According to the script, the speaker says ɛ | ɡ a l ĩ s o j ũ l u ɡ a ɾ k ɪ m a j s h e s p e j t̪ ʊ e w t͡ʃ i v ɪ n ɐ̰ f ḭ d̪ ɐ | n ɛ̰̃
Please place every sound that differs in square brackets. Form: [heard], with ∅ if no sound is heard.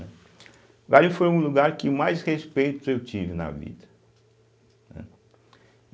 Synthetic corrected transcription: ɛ | ɡ a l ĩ [f] o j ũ l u ɡ a ɾ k ɪ m a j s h e s p e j t̪ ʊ e w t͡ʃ i v ɪ n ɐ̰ [v] ḭ d̪ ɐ | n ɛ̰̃